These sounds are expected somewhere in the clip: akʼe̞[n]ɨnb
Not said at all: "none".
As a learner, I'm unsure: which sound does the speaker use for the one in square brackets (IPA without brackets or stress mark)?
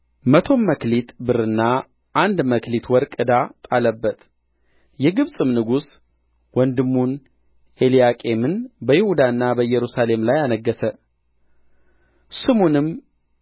m